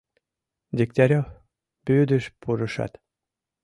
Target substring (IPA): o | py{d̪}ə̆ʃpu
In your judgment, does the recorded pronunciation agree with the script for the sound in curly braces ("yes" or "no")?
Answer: yes